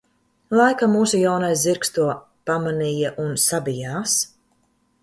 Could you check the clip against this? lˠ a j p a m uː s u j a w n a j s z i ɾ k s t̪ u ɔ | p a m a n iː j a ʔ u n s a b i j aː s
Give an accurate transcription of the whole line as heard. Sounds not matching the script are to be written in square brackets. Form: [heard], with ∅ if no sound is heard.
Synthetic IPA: lˠ a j [k] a m uː s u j a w n a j s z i ɾ k s t̪ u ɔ | p a m a n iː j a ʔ u n s a b i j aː s